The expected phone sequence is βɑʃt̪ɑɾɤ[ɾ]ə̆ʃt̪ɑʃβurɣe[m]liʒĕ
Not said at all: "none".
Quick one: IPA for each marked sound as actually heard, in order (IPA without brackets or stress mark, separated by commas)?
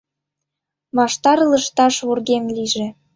l, m